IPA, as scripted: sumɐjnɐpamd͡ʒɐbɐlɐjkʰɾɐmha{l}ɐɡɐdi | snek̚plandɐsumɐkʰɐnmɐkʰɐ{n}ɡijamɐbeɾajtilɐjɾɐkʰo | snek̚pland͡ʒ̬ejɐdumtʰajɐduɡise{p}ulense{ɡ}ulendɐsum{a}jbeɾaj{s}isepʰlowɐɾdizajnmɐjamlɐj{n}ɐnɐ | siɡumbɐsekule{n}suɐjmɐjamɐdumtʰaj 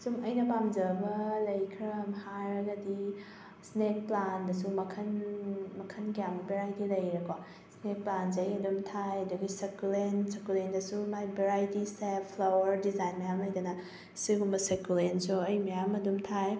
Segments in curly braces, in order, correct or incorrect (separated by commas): incorrect, correct, incorrect, incorrect, correct, incorrect, incorrect, correct